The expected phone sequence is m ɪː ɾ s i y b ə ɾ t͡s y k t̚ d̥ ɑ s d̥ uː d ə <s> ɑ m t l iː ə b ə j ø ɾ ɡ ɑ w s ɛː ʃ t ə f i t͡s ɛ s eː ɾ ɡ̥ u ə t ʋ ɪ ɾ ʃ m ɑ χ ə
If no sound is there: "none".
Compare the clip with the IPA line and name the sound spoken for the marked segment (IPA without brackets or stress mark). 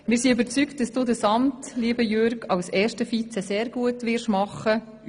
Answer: s